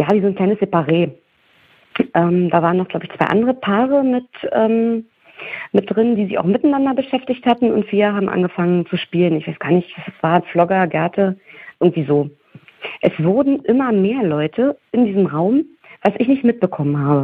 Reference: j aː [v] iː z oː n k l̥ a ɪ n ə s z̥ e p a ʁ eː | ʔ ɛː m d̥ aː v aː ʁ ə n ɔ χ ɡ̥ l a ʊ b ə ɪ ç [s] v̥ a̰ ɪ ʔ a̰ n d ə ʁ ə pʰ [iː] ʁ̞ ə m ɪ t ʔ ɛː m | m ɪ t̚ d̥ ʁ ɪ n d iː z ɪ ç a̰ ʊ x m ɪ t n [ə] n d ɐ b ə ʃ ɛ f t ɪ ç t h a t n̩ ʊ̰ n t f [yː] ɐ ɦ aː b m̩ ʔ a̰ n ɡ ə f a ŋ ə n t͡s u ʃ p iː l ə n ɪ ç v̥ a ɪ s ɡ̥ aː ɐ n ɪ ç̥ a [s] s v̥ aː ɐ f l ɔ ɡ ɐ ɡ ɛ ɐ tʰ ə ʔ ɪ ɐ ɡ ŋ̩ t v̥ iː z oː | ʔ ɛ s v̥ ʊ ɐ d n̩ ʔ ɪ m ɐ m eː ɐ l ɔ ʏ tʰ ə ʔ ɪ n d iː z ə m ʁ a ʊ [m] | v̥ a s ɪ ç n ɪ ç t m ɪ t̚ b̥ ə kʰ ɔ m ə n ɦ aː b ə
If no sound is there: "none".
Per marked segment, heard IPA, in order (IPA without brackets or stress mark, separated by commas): v, t͡s, aː, a, iː, s, m